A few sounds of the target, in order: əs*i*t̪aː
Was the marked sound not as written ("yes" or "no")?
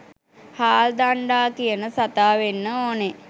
yes